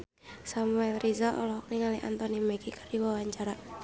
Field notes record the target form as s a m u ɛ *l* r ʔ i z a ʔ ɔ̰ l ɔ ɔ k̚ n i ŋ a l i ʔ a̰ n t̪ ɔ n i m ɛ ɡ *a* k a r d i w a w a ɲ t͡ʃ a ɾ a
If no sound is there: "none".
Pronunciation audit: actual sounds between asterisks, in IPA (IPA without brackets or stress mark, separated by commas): l, i